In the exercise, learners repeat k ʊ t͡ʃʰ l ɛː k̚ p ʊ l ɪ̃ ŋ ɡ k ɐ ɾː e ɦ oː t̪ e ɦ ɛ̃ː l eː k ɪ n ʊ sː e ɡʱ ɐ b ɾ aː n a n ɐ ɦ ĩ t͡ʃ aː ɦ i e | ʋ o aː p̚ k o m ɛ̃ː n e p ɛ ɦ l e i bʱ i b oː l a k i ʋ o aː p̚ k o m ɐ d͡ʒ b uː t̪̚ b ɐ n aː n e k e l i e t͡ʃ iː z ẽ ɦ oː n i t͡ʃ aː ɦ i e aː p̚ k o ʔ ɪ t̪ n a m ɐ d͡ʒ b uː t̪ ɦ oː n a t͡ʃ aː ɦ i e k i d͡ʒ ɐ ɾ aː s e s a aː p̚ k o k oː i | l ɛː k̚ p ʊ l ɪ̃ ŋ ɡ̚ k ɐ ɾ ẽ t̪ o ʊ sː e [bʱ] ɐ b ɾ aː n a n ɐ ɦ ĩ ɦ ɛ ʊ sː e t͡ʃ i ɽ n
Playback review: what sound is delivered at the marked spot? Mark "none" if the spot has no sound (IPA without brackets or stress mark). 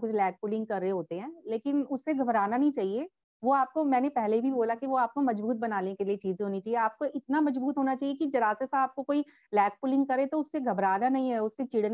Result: ɡʱ